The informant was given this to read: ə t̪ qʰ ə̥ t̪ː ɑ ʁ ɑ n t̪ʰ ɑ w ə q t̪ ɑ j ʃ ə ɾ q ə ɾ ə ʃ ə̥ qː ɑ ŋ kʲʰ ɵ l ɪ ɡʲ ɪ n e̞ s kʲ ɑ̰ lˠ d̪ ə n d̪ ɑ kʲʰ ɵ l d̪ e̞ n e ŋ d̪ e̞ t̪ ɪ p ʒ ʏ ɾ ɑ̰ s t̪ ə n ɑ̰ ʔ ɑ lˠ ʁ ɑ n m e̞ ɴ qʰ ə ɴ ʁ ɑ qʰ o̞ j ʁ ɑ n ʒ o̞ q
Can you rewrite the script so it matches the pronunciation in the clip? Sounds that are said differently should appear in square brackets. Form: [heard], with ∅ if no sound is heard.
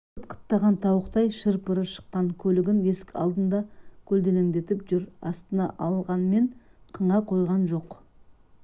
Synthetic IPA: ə t̪ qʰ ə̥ t̪ː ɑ ʁ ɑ n t̪ʰ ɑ w ə q t̪ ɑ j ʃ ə ɾ [p] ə ɾ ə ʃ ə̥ qː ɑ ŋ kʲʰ ɵ l ɪ ɡʲ ɪ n e̞ s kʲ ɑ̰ lˠ d̪ ə n d̪ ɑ kʲʰ ɵ l d̪ e̞ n e ŋ d̪ e̞ t̪ ɪ p ʒ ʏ ɾ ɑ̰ s t̪ ə n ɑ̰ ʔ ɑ lˠ ʁ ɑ n m e̞ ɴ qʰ ə ɴ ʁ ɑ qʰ o̞ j ʁ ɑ n ʒ o̞ q

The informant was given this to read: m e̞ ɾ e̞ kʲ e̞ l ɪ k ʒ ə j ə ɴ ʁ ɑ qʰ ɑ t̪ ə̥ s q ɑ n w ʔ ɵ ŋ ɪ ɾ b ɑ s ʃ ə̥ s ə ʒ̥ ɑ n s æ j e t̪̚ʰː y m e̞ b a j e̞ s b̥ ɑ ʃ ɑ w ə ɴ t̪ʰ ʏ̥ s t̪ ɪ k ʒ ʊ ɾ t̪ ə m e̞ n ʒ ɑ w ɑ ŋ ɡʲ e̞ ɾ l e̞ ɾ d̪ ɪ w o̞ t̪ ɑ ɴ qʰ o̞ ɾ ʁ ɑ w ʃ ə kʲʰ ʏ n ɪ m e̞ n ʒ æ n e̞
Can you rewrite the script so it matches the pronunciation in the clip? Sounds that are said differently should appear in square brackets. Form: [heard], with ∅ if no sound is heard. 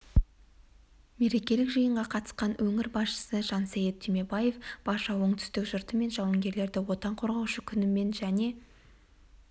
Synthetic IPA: m e̞ ɾ e̞ kʲ e̞ l ɪ k ʒ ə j ə ɴ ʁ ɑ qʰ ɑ t̪ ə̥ s q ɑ n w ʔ ɵ ŋ ɪ ɾ b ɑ s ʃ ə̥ s ə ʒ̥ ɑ n s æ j e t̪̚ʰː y m e̞ b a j e̞ [f] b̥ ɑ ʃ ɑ w ə ɴ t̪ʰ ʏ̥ s t̪ ɪ k ʒ ʊ ɾ t̪ ə m e̞ n ʒ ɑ w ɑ ŋ ɡʲ e̞ ɾ l e̞ ɾ d̪ ɪ w o̞ t̪ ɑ ɴ qʰ o̞ ɾ ʁ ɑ w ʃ ə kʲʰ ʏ n ɪ m e̞ n ʒ æ n e̞

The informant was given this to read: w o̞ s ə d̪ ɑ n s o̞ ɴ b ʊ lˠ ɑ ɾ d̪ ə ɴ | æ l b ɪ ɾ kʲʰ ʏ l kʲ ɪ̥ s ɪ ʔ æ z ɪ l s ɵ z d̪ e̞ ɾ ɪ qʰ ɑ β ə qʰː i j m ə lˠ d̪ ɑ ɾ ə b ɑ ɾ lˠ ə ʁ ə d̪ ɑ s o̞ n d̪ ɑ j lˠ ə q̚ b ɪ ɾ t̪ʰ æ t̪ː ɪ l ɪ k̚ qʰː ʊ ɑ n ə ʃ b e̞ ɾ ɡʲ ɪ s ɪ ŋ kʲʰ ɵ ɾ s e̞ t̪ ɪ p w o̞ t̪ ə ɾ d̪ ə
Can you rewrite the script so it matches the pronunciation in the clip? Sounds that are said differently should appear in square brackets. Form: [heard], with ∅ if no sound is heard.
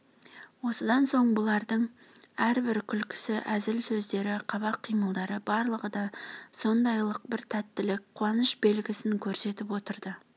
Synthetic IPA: w o̞ s ə d̪ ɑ n s o̞ ɴ b ʊ lˠ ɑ ɾ d̪ ə ɴ | æ [ɾ] b ɪ ɾ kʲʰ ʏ l kʲ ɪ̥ s ɪ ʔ æ z ɪ l s ɵ z d̪ e̞ ɾ ɪ qʰ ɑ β [ɑ] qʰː i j m ə lˠ d̪ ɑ ɾ ə b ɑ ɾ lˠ ə ʁ ə d̪ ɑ s o̞ n d̪ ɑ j lˠ ə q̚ b ɪ ɾ t̪ʰ æ t̪ː ɪ l ɪ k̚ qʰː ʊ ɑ n ə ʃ b e̞ [l] ɡʲ ɪ s ɪ ŋ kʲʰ ɵ ɾ s e̞ t̪ ɪ p w o̞ t̪ ə ɾ d̪ ə

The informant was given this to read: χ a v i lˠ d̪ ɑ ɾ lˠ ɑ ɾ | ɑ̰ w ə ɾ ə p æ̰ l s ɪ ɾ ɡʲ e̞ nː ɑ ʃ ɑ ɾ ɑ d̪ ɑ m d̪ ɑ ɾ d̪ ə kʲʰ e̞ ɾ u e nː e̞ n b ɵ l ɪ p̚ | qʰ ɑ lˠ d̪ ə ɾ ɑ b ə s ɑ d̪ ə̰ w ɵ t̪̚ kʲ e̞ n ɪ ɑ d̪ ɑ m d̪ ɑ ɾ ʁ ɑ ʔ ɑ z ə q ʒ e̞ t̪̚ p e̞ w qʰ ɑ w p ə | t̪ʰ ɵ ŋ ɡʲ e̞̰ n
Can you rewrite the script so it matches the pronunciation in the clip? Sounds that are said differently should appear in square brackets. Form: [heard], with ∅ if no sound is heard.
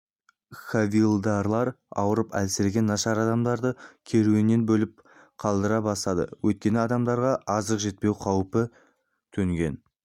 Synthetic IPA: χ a v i lˠ d̪ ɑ ɾ lˠ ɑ ɾ | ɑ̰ w ə ɾ ə p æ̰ l s ɪ ɾ ɡʲ e̞ nː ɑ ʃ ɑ ɾ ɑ d̪ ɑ m d̪ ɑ ɾ d̪ ə kʲʰ e̞ ɾ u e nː e̞ n b ɵ l ɪ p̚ | qʰ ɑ lˠ d̪ ə ɾ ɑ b [ɑ] s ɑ d̪ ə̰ w ɵ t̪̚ kʲ e̞ n ɪ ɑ d̪ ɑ m d̪ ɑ ɾ ʁ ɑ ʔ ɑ z ə q ʒ e̞ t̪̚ p e̞ w qʰ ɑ w p ə | t̪ʰ ɵ ŋ ɡʲ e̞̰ n

